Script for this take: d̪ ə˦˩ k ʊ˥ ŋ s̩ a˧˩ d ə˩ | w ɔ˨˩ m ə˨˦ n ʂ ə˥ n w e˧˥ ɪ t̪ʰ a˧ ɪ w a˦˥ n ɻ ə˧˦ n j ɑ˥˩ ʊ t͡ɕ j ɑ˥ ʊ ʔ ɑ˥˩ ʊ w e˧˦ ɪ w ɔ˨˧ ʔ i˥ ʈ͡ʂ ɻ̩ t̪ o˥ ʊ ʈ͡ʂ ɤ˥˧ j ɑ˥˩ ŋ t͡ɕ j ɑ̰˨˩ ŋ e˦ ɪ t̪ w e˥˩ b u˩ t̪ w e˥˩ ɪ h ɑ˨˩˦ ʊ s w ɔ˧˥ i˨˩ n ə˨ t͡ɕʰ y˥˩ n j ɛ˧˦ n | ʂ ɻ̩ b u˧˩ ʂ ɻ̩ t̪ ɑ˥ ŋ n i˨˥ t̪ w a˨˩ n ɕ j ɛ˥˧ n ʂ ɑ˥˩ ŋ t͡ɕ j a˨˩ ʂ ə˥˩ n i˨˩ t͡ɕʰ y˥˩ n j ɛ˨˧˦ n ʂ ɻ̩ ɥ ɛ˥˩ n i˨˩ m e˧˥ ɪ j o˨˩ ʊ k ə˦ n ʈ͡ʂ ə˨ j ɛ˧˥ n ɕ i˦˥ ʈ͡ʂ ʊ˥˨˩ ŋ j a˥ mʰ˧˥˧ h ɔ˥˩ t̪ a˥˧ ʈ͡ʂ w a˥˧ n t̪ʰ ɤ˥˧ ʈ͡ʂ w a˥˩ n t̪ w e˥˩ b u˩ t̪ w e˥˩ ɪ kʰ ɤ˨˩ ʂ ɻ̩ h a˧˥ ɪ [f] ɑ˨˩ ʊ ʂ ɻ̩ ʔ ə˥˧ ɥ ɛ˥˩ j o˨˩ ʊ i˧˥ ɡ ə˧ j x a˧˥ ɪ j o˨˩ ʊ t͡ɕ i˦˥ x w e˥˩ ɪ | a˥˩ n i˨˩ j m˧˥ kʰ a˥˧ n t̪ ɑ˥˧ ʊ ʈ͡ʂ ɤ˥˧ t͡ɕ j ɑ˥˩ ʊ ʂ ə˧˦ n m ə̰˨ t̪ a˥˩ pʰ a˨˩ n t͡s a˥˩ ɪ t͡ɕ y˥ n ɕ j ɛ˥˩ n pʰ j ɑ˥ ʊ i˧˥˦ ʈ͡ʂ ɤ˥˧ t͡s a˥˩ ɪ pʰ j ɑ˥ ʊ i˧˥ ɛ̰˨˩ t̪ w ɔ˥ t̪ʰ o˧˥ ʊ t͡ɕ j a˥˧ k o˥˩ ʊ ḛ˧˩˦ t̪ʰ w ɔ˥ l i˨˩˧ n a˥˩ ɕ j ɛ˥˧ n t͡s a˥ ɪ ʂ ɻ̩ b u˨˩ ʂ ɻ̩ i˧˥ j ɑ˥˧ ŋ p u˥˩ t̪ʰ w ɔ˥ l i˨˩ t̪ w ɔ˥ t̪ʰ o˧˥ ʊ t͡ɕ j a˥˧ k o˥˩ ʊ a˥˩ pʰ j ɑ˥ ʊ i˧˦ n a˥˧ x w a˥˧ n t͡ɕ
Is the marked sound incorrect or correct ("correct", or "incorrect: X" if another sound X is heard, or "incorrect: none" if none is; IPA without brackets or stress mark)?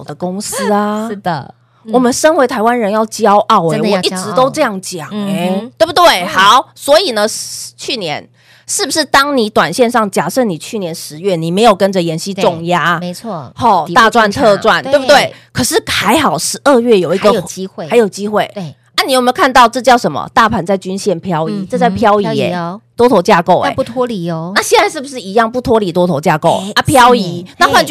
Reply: incorrect: x